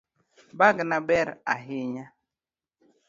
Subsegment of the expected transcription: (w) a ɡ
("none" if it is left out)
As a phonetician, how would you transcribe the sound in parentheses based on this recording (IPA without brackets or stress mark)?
b